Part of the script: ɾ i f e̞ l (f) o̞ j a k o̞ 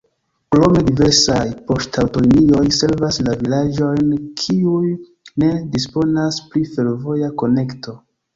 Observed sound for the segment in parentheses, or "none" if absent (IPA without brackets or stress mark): v